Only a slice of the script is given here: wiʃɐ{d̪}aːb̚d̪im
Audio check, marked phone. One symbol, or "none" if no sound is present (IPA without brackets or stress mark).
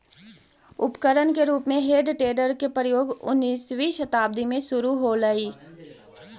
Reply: t̪